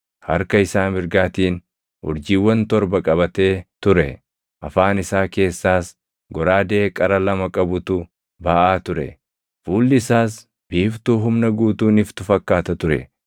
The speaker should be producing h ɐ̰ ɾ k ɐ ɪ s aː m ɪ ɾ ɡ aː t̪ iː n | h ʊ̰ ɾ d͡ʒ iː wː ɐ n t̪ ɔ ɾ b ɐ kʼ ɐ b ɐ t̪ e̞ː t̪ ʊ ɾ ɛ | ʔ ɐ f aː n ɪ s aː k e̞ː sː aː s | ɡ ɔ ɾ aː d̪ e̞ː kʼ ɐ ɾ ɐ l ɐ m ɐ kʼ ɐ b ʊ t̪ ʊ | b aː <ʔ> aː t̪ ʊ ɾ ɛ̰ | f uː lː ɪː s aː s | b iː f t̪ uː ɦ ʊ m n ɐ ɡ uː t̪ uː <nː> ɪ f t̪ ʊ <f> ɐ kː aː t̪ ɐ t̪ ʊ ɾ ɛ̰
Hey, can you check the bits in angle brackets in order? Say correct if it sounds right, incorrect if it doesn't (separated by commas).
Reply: correct, incorrect, correct